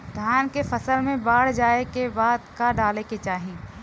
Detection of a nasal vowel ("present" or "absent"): present